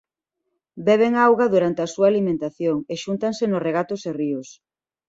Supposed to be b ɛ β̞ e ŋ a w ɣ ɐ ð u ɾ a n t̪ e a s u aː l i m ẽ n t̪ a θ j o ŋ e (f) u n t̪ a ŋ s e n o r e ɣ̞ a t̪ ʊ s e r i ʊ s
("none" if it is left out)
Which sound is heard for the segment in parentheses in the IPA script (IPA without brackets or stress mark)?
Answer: ʃ